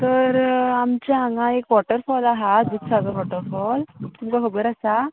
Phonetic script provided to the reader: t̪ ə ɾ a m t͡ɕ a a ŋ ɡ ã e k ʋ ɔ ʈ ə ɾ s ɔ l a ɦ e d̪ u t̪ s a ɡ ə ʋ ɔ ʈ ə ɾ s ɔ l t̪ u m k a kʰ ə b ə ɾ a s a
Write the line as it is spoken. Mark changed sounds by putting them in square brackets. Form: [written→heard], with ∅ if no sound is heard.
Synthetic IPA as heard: t̪ ə ɾ a m t͡ɕ a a ŋ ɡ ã e k ʋ ɔ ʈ ə ɾ [s→f] ɔ l a ɦ [e→a] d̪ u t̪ s a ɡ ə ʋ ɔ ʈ ə ɾ [s→f] ɔ l t̪ u m k a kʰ ə b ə ɾ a s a